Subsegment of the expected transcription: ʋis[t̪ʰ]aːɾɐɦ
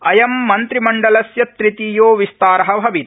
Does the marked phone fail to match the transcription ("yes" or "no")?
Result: yes